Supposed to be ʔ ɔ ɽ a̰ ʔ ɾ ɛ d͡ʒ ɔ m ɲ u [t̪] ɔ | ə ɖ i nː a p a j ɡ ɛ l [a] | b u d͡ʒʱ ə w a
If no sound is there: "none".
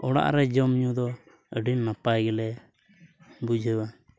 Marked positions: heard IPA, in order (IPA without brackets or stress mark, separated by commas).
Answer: d̪, ɛ